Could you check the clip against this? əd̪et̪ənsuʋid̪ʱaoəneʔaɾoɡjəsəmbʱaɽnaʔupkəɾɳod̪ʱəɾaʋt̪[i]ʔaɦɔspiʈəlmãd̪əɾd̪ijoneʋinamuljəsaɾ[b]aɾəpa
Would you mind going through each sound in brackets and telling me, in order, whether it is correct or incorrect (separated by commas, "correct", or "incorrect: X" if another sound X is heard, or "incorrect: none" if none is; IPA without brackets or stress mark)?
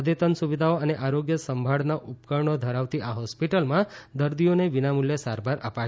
correct, correct